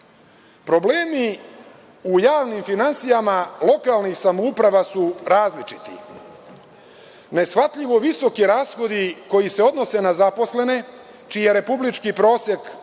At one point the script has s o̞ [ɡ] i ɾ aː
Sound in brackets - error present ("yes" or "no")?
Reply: yes